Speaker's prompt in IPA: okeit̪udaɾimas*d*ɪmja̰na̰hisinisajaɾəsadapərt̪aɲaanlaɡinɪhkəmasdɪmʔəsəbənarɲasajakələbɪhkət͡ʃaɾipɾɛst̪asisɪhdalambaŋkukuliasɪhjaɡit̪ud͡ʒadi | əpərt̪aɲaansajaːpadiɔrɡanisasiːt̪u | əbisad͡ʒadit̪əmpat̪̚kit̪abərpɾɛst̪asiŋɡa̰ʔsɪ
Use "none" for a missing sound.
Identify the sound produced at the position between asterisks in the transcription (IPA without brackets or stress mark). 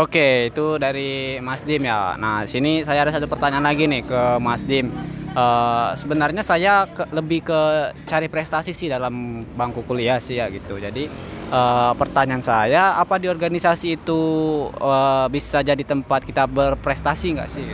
d